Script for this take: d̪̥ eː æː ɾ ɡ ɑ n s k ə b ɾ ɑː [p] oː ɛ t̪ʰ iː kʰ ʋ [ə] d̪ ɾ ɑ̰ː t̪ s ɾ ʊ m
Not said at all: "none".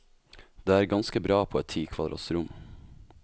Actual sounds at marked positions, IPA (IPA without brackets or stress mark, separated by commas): pʰ, ɑ